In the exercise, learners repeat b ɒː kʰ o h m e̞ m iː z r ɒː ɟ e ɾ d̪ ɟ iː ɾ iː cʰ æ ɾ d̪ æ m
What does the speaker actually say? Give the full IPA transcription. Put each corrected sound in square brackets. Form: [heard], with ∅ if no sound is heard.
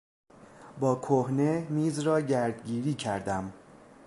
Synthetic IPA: b ɒː kʰ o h [n] e̞ m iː z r ɒː ɟ [æ] ɾ d̪ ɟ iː ɾ iː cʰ æ ɾ d̪ æ m